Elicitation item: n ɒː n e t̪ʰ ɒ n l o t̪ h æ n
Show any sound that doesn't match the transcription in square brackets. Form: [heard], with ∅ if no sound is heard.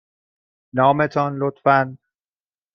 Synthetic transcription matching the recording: n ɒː [m] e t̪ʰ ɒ n l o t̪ [f] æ n